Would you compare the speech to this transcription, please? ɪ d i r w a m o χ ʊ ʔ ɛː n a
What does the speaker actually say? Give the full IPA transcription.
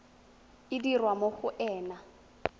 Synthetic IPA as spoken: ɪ d i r w a m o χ ʊ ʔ ɛː n a